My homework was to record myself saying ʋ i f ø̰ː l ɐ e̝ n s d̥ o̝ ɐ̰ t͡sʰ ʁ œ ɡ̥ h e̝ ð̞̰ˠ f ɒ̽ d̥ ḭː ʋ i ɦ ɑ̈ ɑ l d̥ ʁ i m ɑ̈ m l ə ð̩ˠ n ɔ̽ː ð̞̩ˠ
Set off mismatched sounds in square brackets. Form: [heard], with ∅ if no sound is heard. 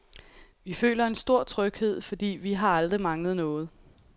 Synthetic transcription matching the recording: ʋ i f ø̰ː l ɐ e̝ n s d̥ o̝ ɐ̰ t͡sʰ ʁ œ ɡ̥ h e̝ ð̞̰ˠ f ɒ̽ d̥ ḭː ʋ i ɦ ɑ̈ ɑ l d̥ ʁ i m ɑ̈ [ŋ] l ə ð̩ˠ n ɔ̽ː ð̞̩ˠ